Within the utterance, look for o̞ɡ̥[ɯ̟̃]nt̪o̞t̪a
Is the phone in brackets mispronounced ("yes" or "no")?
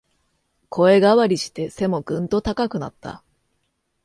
no